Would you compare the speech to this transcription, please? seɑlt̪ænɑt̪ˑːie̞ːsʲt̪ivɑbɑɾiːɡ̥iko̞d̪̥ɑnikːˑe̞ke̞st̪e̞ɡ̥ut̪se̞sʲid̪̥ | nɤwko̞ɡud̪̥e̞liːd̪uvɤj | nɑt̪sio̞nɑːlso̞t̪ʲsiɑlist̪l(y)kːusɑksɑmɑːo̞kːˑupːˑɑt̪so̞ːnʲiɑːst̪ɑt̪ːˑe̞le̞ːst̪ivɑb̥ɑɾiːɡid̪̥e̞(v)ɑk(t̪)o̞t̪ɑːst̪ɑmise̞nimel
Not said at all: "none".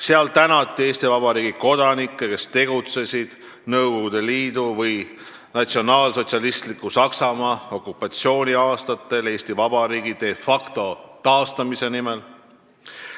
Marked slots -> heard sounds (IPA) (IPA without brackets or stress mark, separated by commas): i, f, t̪